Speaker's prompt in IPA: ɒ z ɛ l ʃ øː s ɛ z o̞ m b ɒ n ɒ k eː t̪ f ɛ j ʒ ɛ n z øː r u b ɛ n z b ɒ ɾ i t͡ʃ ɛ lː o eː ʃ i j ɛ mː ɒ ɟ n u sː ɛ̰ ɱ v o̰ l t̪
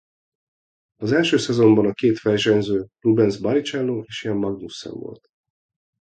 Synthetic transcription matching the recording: ɒ z ɛ l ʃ øː s ɛ z o̞ m b ɒ n ɒ k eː t̪ f ɛ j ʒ ɛ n z øː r u b ɛ n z b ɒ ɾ i t͡ʃ ɛ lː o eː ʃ i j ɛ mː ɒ ɡ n u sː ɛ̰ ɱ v o̰ l t̪